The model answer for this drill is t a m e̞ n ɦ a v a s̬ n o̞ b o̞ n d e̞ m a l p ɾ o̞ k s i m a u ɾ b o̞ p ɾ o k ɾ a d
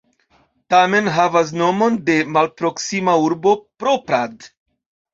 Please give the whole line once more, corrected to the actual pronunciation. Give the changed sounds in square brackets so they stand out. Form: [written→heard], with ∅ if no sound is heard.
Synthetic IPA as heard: t a m e̞ n ɦ a v a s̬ n o̞ [b→m] o̞ n d e̞ m a l p ɾ o̞ k s i m a u ɾ b o̞ p ɾ o [k→p] ɾ a d